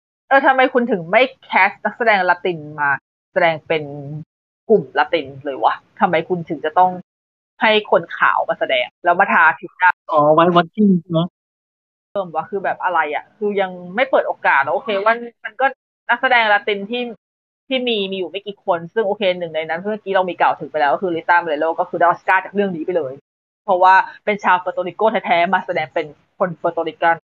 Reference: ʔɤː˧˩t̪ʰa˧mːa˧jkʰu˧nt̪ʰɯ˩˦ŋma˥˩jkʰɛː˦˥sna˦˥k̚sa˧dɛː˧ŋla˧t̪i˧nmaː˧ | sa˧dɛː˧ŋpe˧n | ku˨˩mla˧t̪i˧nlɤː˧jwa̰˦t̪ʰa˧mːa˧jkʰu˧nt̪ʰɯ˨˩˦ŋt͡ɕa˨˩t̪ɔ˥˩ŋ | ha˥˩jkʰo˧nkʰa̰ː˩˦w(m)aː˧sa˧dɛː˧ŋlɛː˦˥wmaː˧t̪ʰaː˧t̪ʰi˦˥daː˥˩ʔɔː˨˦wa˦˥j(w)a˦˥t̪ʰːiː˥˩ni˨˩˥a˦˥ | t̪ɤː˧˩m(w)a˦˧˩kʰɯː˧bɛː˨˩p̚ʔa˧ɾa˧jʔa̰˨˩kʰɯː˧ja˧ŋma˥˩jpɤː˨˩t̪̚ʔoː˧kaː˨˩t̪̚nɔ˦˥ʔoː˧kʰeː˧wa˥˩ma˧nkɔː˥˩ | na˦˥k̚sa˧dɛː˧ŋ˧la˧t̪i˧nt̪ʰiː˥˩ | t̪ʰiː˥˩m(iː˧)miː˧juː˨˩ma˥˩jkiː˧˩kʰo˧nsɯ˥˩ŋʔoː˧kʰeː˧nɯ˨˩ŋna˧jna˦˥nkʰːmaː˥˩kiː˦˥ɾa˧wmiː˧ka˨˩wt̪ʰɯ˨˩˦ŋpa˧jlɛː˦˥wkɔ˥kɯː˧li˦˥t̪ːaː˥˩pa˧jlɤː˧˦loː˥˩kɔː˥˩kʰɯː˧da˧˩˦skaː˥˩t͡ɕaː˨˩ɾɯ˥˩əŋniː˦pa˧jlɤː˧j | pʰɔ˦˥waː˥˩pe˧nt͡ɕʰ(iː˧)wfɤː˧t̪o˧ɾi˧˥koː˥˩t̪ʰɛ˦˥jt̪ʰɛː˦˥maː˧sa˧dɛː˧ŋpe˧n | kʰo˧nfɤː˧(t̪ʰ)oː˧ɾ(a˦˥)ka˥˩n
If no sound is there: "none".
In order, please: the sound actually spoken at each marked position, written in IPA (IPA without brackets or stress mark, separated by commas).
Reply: m, w, w, iː˧, aː˧, t̪, i˦˥